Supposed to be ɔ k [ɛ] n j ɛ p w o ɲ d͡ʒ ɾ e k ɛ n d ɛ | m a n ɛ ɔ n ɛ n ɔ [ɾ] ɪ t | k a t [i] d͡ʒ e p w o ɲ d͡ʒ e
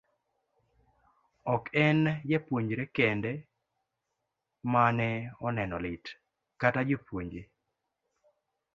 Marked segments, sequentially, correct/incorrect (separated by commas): correct, incorrect, incorrect